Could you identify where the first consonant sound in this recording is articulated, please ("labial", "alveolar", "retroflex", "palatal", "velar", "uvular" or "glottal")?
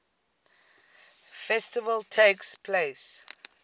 labial